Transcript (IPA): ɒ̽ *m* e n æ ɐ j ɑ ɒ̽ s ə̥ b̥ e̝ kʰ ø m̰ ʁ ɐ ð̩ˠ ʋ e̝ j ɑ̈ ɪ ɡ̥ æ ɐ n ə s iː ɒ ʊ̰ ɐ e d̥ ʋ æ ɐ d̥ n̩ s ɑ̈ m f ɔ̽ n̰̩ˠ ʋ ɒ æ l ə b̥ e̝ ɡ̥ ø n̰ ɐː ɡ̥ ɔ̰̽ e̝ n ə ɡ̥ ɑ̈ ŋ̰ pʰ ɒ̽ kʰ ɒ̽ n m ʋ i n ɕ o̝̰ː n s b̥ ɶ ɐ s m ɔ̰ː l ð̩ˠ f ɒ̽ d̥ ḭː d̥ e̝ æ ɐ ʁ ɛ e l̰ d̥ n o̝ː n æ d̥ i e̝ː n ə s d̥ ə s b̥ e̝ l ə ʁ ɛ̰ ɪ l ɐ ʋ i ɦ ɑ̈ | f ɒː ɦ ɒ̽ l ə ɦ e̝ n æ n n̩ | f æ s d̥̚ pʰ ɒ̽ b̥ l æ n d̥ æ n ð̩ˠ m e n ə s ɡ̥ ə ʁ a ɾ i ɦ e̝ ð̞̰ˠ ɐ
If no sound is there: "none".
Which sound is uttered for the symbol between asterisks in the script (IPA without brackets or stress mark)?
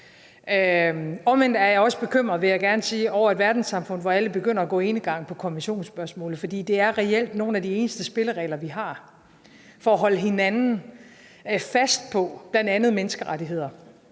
m